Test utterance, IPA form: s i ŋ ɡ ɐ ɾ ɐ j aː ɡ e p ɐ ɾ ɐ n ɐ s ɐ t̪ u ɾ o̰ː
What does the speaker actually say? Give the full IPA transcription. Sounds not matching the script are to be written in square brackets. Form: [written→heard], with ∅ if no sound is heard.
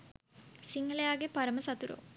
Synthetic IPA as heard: s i ŋ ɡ ɐ [ɾ→l] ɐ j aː ɡ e p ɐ ɾ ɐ [n→m] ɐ s ɐ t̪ u ɾ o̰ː